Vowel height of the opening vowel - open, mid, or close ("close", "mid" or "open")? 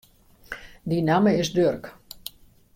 close